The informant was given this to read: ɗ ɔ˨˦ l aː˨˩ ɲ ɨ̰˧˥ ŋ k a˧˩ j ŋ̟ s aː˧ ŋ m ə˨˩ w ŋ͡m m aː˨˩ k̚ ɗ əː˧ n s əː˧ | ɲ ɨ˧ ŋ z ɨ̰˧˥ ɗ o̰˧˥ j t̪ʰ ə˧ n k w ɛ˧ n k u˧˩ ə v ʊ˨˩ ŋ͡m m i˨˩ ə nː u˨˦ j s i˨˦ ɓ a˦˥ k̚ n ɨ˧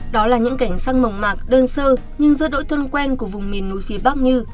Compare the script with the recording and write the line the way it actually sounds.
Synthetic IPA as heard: ɗ ɔ˨˦ l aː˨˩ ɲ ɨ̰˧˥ ŋ k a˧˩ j ŋ̟ s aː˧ ŋ m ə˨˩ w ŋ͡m m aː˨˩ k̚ ɗ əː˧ n s əː˧ | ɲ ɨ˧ ŋ z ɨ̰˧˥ ɗ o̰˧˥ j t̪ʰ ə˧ n k w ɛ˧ n k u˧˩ ə v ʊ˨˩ ŋ͡m m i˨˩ ə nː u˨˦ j f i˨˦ ɓ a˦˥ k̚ ɲ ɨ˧